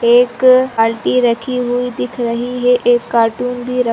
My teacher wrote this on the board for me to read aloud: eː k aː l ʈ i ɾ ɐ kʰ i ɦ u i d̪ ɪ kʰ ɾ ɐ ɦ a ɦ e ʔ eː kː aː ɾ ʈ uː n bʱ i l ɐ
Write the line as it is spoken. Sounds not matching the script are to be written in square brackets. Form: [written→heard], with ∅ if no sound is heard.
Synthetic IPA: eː k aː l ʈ i ɾ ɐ kʰ i ɦ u i d̪ ɪ kʰ ɾ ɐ ɦ [a→i] ɦ e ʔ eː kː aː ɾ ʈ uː n bʱ i [l→ɾ] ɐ